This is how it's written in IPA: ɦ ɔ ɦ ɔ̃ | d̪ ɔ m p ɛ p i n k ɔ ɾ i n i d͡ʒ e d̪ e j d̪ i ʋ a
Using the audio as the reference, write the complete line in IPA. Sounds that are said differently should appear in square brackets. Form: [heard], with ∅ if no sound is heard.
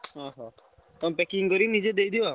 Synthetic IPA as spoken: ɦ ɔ ɦ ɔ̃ | [t̪] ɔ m p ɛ [k] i [ŋ] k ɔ ɾ i n i d͡ʒ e d̪ e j d̪ i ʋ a